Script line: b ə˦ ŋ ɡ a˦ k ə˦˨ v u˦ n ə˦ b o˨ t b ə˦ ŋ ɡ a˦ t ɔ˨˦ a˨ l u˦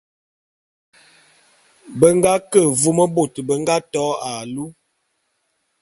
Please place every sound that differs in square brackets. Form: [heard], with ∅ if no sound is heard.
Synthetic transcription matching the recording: b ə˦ ŋ ɡ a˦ k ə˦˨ v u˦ [m] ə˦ b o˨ t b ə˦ ŋ ɡ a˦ t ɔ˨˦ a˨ l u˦